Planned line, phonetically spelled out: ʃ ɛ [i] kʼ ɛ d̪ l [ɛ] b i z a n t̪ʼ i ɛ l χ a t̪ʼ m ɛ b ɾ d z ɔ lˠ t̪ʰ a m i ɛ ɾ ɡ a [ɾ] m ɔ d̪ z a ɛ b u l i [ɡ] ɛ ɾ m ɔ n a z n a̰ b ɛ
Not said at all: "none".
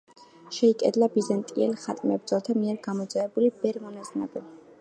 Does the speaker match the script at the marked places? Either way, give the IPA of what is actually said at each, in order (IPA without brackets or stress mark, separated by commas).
i, a, none, b